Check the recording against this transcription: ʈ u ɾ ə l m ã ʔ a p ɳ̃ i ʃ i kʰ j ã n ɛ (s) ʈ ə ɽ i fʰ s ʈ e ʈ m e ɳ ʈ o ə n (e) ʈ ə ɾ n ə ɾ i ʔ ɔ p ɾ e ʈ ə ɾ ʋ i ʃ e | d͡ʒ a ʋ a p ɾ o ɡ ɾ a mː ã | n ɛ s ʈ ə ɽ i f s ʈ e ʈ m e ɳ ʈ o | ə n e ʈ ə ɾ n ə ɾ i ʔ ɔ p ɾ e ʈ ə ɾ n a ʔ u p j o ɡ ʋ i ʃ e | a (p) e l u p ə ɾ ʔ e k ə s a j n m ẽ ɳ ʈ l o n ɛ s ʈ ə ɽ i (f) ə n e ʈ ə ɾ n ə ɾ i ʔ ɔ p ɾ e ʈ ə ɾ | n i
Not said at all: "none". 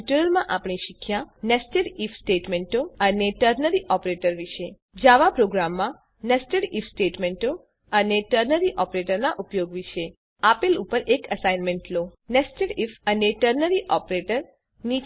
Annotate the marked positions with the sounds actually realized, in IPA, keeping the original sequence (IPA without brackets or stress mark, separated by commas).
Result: s, e, p, f